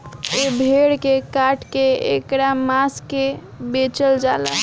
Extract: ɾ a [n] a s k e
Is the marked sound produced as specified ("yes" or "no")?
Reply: no